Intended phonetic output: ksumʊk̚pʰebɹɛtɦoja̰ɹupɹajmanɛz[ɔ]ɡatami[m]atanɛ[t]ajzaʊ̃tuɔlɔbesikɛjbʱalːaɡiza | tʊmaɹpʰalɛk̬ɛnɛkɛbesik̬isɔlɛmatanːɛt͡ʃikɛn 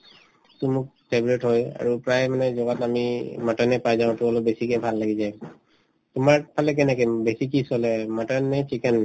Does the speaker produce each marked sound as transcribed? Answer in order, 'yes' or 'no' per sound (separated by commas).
yes, yes, no